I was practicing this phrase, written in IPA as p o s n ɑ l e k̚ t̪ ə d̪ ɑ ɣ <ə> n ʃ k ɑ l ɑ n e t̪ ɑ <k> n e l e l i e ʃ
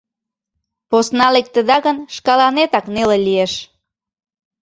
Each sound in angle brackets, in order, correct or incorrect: correct, correct

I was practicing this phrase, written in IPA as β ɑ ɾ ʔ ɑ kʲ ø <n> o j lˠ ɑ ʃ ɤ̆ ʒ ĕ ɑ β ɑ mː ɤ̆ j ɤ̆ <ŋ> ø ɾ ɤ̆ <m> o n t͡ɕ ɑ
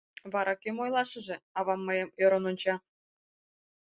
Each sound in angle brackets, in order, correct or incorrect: incorrect, incorrect, incorrect

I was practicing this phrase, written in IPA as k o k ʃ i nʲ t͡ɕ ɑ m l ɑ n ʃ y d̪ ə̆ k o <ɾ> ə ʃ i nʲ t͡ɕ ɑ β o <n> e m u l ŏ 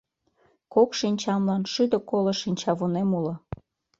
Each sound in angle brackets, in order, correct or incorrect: incorrect, correct

